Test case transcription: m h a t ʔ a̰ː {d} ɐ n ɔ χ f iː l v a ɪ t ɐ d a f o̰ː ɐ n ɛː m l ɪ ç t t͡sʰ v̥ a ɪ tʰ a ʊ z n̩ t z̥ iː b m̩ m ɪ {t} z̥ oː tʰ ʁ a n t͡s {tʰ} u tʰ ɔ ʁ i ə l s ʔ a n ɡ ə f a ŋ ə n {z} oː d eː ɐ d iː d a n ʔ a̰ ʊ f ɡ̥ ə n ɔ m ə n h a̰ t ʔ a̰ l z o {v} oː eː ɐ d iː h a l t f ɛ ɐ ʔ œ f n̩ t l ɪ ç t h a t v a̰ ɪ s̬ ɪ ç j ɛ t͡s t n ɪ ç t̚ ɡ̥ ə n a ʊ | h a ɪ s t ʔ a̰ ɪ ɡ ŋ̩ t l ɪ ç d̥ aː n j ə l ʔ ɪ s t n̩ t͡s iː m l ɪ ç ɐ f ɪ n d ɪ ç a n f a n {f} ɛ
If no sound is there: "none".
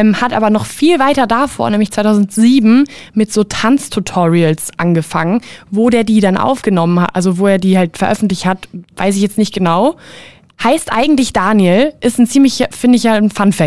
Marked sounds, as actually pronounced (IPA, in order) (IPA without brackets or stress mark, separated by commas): b, t, tʰ, v, v, f